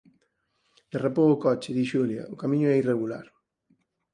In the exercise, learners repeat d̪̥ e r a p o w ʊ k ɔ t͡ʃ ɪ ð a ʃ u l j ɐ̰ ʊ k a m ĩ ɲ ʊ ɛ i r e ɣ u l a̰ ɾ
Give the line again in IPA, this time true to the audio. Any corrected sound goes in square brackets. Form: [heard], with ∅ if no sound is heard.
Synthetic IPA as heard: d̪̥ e r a p o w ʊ k ɔ t͡ʃ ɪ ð [i] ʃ u l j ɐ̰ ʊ k a m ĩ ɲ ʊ ɛ i r e ɣ u l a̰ ɾ